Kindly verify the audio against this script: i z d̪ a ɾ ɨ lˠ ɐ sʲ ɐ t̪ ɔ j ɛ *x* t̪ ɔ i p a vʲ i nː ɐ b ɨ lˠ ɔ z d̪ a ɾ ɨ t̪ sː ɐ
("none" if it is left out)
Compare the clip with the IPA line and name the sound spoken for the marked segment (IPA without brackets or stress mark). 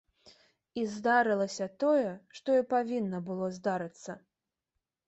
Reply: ʂ